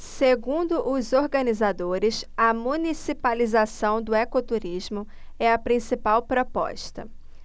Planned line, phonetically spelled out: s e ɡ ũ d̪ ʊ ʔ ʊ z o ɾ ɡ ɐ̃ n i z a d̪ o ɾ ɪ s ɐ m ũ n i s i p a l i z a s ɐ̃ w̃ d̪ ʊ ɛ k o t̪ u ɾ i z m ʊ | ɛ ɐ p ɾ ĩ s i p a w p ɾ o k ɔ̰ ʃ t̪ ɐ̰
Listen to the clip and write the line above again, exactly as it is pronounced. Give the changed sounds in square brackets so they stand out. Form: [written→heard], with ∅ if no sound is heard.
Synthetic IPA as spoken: s e ɡ ũ d̪ ʊ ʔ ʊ z o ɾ ɡ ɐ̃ n i z a d̪ o ɾ ɪ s ɐ m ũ n i s i p a l i z a s ɐ̃ w̃ d̪ ʊ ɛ k o t̪ u ɾ i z m ʊ | ɛ ɐ p ɾ ĩ s i p a w p ɾ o [k→p] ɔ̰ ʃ t̪ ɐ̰